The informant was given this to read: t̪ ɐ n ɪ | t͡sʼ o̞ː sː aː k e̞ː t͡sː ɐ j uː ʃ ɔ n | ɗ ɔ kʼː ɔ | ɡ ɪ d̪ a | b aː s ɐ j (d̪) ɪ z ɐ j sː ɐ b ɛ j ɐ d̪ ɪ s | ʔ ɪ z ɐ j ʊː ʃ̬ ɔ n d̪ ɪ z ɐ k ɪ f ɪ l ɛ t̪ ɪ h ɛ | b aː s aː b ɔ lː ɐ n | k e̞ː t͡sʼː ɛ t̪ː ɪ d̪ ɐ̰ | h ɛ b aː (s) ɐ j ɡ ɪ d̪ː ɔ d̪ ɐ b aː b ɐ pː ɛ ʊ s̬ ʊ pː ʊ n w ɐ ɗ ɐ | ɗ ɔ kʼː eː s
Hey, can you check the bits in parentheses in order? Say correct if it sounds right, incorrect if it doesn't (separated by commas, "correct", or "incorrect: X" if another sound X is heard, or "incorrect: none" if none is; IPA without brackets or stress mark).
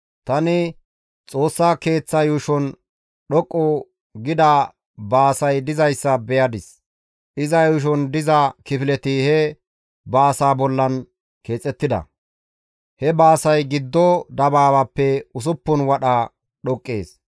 correct, correct